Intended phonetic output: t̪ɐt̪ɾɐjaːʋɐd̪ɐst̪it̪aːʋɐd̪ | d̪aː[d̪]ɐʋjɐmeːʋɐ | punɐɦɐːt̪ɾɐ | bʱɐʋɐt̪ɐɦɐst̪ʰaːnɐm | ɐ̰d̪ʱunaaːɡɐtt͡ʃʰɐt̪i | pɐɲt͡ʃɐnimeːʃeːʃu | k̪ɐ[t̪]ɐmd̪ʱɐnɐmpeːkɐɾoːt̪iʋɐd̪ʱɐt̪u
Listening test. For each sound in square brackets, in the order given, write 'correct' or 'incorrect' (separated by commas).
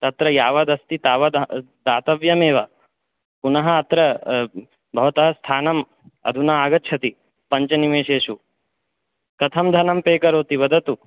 incorrect, incorrect